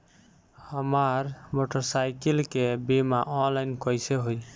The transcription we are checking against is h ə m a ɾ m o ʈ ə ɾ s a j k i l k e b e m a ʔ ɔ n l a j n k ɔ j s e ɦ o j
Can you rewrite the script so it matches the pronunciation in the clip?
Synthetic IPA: h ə m a ɾ m o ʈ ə ɾ s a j k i l k e b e m a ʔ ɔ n l a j n k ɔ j s e ɦ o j